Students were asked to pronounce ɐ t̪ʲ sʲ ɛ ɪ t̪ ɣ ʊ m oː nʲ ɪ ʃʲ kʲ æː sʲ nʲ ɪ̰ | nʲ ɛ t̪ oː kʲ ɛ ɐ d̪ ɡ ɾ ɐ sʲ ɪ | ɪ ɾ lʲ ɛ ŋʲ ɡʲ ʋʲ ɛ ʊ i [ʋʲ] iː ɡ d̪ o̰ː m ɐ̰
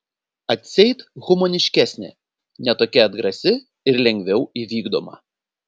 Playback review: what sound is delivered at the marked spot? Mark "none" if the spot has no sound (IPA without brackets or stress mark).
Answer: ʋʲ